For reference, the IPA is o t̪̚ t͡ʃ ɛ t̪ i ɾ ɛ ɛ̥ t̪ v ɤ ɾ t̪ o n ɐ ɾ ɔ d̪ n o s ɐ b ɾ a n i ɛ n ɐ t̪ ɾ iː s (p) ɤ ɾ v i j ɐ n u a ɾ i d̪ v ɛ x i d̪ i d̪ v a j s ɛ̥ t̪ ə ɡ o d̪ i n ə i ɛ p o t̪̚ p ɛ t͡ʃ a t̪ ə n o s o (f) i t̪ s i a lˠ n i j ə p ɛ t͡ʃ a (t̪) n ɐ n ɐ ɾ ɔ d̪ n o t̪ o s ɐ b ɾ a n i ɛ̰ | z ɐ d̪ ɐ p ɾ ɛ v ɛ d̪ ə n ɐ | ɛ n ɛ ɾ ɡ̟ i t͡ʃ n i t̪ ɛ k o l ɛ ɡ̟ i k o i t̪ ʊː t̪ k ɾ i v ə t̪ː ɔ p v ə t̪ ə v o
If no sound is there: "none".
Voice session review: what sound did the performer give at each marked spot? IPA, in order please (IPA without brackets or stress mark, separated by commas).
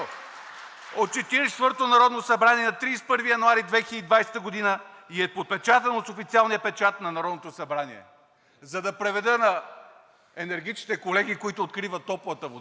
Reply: p, f, t̪